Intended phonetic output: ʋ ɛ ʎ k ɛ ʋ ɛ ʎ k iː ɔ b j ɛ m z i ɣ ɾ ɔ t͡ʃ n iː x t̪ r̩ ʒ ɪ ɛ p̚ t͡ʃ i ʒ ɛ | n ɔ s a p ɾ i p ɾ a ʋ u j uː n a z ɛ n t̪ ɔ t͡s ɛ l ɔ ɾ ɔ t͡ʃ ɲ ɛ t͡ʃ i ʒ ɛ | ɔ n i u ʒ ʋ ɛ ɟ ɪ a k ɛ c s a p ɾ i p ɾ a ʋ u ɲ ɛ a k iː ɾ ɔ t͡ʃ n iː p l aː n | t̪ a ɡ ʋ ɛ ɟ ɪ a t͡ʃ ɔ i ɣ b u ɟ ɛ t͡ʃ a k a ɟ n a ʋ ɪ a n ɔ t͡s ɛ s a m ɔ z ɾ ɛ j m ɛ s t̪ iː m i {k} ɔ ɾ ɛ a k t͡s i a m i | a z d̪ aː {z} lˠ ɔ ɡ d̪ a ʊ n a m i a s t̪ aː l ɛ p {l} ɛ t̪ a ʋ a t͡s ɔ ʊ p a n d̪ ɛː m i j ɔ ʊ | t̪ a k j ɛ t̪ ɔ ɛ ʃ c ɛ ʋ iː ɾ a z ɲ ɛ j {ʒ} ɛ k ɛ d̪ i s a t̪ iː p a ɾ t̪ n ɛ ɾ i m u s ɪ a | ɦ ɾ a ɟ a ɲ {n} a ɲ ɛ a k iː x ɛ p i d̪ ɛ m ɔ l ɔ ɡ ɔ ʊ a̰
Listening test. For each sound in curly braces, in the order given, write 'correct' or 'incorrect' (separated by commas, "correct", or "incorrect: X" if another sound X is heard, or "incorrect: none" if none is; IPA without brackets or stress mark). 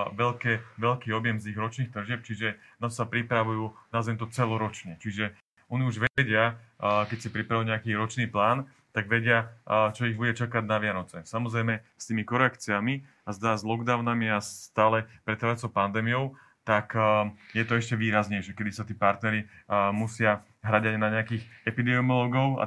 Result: correct, correct, incorrect: ɾ, incorrect: ʃ, correct